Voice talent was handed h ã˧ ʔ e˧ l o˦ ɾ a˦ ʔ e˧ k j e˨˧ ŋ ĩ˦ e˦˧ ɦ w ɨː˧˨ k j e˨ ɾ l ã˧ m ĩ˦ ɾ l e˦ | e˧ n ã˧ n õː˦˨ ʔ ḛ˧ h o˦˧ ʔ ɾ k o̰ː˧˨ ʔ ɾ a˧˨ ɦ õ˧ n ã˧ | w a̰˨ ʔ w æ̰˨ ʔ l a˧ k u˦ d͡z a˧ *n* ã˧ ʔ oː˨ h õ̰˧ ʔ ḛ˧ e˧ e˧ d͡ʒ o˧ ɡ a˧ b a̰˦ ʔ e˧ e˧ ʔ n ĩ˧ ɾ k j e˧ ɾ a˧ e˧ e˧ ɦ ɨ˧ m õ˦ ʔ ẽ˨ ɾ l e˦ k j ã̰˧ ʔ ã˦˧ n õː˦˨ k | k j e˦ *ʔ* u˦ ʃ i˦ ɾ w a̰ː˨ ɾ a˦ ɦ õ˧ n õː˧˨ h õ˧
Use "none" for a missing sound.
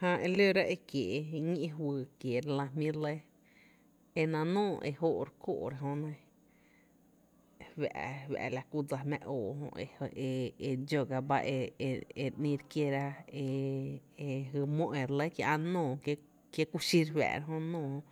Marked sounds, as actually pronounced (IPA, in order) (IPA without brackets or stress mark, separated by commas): m, k